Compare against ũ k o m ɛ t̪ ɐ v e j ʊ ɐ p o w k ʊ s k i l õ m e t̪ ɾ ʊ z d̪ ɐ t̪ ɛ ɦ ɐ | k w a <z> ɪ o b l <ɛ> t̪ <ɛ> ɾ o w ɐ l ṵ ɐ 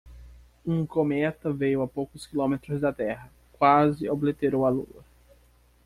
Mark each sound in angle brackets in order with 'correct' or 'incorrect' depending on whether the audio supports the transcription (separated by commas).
correct, incorrect, incorrect